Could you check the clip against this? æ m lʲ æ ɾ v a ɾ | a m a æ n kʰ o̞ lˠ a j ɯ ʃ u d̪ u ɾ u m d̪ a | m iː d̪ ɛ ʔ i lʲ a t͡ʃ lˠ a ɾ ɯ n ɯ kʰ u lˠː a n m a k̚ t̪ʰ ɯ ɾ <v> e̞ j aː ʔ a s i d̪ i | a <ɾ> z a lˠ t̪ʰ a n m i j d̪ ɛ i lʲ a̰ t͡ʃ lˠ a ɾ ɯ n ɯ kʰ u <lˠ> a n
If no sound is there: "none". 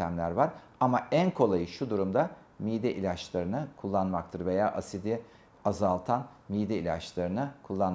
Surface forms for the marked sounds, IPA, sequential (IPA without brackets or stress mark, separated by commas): v, none, lˠː